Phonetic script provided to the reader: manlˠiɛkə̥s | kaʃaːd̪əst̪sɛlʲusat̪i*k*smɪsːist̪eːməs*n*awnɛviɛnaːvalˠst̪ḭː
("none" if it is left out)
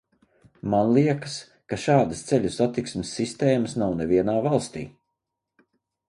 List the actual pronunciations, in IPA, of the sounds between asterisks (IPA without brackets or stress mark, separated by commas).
k, n